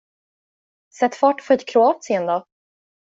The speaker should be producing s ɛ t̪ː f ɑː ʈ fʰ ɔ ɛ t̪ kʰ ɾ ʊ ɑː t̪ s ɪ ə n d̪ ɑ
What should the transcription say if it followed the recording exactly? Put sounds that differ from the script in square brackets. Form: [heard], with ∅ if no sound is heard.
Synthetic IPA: s ɛ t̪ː f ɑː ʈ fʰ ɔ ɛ t̪ kʰ ɾ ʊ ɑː t̪ s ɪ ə n d̪ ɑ